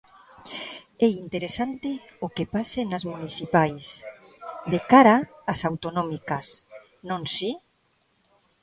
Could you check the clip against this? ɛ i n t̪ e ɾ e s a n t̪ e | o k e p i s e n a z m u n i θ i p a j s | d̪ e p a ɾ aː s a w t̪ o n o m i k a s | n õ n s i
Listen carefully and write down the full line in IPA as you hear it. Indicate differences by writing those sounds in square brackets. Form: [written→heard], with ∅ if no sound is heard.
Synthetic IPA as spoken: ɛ i n t̪ e ɾ e s a n t̪ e | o k e p [i→a] s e n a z m u n i θ i p a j s | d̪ e [p→k] a ɾ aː s a w t̪ o n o m i k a s | n õ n s i